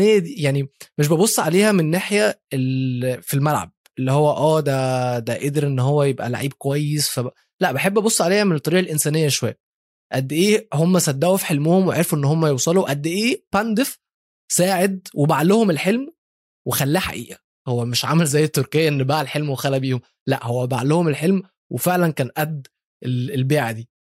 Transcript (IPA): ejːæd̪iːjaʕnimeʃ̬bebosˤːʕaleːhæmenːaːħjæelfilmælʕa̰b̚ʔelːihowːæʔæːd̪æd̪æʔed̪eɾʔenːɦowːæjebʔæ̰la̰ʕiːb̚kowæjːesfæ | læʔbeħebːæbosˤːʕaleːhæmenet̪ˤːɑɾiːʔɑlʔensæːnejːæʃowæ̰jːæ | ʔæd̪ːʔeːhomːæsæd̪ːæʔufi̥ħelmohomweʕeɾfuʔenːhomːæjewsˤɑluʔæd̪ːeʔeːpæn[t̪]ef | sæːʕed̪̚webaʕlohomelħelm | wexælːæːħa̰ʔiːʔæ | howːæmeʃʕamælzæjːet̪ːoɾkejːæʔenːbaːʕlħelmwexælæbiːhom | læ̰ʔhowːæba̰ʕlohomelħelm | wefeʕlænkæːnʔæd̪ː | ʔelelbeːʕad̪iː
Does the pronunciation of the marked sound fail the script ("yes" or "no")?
yes